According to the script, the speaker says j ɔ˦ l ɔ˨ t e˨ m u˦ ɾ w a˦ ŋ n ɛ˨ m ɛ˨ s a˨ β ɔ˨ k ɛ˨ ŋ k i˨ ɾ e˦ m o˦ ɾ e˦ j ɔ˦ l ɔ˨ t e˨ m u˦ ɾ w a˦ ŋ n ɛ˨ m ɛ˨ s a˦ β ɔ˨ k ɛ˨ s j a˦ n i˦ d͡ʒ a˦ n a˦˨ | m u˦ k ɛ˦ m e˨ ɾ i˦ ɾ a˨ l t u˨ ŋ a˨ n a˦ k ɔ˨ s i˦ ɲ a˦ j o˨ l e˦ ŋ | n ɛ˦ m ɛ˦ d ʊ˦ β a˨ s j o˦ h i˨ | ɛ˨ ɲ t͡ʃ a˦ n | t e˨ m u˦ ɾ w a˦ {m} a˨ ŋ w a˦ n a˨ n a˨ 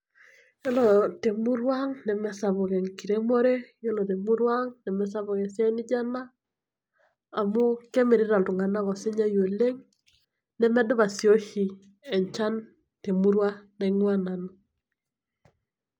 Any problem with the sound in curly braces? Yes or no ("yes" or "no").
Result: yes